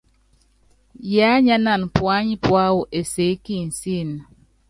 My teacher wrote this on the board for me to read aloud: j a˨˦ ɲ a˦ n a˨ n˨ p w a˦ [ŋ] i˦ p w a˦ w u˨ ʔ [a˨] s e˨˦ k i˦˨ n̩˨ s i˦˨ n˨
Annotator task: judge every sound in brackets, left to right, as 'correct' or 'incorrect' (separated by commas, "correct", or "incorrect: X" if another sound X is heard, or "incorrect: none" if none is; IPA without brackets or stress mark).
incorrect: ɲ, incorrect: e˨